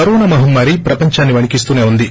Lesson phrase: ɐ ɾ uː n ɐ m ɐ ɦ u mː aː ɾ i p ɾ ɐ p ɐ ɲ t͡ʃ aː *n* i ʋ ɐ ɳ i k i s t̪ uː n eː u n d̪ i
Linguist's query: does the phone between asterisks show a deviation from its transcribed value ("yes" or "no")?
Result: yes